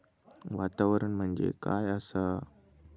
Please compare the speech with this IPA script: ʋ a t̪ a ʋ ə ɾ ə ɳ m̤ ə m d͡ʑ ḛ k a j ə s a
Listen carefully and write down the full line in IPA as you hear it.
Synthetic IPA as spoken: ʋ a t̪ a ʋ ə ɾ ə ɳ m̤ ə ɳ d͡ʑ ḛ k a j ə s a